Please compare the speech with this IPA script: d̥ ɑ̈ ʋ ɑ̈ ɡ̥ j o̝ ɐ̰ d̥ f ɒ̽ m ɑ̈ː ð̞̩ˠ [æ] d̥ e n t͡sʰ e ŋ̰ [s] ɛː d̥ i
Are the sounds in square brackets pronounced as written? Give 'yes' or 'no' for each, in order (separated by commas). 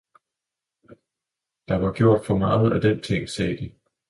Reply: yes, yes